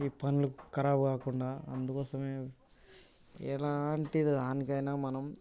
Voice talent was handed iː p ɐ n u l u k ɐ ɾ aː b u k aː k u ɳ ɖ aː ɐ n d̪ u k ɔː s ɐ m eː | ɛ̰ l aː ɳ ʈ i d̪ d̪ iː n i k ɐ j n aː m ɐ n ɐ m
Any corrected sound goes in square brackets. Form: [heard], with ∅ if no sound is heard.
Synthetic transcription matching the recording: iː p ɐ n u l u k ɐ ɾ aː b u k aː k u ɳ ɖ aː ɐ n d̪ u k ɔː s ɐ m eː | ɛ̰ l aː ɳ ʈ i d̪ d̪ [aː] n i k ɐ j n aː m ɐ n ɐ m

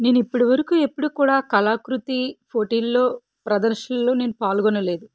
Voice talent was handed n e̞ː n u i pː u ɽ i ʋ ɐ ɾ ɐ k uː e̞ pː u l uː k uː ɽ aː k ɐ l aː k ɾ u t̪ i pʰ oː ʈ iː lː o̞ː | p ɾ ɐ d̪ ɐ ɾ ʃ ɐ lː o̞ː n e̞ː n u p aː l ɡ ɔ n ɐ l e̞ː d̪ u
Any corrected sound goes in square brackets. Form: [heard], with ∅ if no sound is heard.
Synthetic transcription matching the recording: n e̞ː n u i pː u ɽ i ʋ ɐ ɾ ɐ k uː e̞ pː u [ɽ] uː k uː ɽ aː k ɐ l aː k ɾ u t̪ i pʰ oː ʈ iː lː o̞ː | p ɾ ɐ d̪ ɐ ɾ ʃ ɐ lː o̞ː n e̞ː n u p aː l ɡ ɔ n ɐ l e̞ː d̪ u

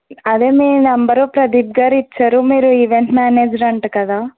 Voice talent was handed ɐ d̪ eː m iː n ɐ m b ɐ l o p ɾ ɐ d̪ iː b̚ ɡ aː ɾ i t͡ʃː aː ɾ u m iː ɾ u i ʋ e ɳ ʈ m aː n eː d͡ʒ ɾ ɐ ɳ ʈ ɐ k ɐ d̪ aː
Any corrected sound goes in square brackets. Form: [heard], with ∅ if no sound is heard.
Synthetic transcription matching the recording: ɐ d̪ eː m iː n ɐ m b ɐ [ɾ] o p ɾ ɐ d̪ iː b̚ ɡ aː ɾ i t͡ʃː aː ɾ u m iː ɾ u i ʋ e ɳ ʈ m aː n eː d͡ʒ ɾ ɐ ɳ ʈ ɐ k ɐ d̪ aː

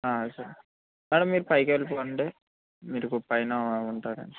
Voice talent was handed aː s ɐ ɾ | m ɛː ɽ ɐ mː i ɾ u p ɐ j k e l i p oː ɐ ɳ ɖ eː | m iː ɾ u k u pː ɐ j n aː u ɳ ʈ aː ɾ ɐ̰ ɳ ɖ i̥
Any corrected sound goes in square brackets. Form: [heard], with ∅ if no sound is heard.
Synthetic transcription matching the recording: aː s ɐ ɾ | m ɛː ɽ ɐ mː [iː] ɾ u p ɐ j k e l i p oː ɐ ɳ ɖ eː | m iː ɾ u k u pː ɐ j n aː u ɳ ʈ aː ɾ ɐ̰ ɳ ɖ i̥

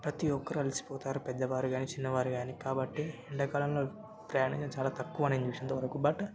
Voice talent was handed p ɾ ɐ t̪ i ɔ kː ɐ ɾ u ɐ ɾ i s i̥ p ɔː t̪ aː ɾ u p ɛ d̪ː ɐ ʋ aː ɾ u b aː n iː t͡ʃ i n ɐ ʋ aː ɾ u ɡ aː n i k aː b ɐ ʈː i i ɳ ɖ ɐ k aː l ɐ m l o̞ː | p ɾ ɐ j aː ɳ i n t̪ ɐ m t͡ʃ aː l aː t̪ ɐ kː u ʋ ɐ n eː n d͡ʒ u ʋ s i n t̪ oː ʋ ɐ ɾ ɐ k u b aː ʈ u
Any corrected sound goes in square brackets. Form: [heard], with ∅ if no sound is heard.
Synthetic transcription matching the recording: p ɾ ɐ t̪ i ɔ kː ɐ ɾ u ɐ [l] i s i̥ p ɔː t̪ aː ɾ u p ɛ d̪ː ɐ ʋ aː ɾ u [ɡ] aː n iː t͡ʃ i [nː] ɐ ʋ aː ɾ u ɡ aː n i k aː b ɐ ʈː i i ɳ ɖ ɐ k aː l ɐ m l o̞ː | p ɾ ɐ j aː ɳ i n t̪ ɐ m t͡ʃ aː l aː t̪ ɐ kː u ʋ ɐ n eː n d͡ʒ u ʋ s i n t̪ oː ʋ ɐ ɾ ɐ k u b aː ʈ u

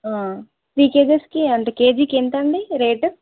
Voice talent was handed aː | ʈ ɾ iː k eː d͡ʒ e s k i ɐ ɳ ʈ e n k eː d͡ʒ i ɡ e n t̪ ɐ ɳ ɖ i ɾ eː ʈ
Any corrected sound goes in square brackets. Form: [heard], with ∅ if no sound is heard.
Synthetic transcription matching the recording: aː | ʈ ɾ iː k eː d͡ʒ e s k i ɐ ɳ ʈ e [∅] k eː d͡ʒ i [k] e n t̪ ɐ ɳ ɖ i ɾ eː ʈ

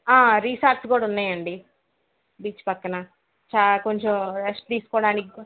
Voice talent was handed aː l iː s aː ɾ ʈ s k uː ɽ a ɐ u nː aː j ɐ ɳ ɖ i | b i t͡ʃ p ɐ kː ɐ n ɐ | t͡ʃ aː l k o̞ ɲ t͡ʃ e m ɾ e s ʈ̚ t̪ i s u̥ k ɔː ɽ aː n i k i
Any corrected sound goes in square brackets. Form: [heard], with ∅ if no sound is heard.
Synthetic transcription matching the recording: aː [ɾ] iː s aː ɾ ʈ s k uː ɽ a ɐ u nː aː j ɐ ɳ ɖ i | b [iː] t͡ʃ p ɐ kː ɐ n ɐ | t͡ʃ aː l k o̞ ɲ t͡ʃ e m ɾ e s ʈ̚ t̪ [iː] s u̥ k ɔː ɽ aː n i k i

